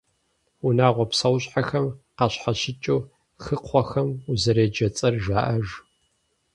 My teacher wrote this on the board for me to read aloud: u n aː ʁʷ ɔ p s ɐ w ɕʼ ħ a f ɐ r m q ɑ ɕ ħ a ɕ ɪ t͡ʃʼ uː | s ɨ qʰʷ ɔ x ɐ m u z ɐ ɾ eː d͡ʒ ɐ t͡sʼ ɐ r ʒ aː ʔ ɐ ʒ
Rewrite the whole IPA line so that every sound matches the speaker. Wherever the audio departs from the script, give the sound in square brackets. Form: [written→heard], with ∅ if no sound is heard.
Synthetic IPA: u n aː ʁʷ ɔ p s ɐ w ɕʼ ħ a [f→x] ɐ [r→∅] m q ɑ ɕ ħ a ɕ ɪ t͡ʃʼ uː | [s→x] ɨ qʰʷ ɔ x ɐ m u z ɐ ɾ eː d͡ʒ ɐ t͡sʼ ɐ r ʒ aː ʔ ɐ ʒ

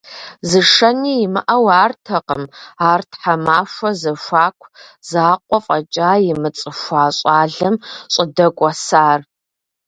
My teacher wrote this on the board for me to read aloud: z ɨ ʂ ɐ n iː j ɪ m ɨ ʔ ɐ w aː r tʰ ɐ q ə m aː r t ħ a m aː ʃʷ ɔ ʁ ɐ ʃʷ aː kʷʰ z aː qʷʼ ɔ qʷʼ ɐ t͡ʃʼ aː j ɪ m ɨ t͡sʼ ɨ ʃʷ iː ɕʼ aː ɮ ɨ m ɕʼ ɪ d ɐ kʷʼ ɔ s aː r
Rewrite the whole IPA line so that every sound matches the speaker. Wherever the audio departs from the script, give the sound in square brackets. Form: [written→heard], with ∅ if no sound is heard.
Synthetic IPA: z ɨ ʂ ɐ n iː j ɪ m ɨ ʔ ɐ w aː r tʰ ɐ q ə m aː r t ħ a m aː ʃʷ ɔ [ʁ→z] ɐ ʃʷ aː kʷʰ z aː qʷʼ ɔ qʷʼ ɐ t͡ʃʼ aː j ɪ m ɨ t͡sʼ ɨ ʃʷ [iː→aː] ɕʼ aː ɮ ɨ m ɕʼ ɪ d ɐ kʷʼ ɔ s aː r

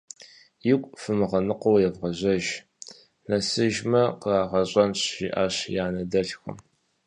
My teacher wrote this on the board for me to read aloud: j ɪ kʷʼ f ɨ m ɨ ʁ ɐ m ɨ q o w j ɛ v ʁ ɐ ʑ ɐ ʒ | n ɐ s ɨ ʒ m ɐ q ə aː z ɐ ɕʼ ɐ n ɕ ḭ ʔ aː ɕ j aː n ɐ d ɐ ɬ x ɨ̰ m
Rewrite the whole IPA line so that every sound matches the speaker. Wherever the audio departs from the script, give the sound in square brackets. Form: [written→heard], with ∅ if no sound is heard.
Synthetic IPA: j ɪ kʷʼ f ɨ m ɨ ʁ ɐ [m→n] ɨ q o w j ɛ v ʁ ɐ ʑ ɐ ʒ | n ɐ s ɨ ʒ m ɐ q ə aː [z→ʁ] ɐ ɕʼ ɐ n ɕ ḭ ʔ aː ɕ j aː n ɐ d ɐ ɬ x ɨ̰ m

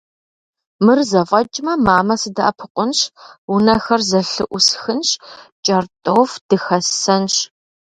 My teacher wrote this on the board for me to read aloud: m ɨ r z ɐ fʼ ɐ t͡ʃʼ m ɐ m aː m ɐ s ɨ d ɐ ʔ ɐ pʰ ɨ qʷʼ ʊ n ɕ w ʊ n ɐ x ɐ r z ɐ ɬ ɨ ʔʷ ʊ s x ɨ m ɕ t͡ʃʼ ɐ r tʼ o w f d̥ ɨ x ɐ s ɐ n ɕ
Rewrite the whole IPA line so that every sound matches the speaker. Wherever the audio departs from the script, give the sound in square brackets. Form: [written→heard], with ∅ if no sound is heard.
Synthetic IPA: m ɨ r z ɐ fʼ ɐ t͡ʃʼ m ɐ m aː m ɐ s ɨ d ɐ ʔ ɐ pʰ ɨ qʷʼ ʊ n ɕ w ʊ n ɐ x ɐ r z ɐ ɬ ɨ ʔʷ ʊ s x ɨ [m→n] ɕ t͡ʃʼ ɐ r tʼ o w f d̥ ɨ x ɐ s ɐ n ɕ

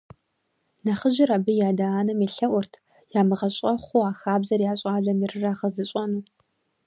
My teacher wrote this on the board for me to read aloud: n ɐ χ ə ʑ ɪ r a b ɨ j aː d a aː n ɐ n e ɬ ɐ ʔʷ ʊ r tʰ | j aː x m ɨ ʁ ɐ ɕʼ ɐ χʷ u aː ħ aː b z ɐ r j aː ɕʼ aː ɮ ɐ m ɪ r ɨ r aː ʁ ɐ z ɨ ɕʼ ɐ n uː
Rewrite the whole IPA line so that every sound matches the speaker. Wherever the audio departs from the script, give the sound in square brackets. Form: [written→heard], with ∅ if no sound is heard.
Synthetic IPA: n ɐ χ ə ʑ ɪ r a b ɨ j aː d a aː n ɐ [n→m] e ɬ ɐ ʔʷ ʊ r tʰ | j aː [x→∅] m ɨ ʁ ɐ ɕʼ ɐ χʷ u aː [ħ→x] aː b z ɐ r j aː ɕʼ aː ɮ ɐ m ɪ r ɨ r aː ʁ ɐ z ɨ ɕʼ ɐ n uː

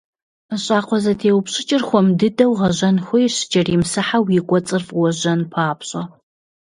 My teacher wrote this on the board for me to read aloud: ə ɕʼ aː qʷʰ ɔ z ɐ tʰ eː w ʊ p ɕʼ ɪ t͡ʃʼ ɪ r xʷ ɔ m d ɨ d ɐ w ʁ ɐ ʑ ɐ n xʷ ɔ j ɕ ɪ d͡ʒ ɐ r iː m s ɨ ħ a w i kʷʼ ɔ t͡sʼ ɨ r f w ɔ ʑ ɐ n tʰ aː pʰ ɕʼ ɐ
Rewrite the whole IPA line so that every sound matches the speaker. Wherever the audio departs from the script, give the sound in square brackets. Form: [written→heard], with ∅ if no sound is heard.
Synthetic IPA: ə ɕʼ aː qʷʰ ɔ z ɐ tʰ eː w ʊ p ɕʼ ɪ t͡ʃʼ ɪ r xʷ ɔ m d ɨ d ɐ w ʁ ɐ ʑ ɐ n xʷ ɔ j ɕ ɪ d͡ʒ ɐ r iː m s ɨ ħ a w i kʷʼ ɔ t͡sʼ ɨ r f w ɔ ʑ ɐ n [tʰ→pʰ] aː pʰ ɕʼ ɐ

